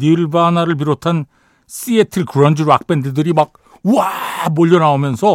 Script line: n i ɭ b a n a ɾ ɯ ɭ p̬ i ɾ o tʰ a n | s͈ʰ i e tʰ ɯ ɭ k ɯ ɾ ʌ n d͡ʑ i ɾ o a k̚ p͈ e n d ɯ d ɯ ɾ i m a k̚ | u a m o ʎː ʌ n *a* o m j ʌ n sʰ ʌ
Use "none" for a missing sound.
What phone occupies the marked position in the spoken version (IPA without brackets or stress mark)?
a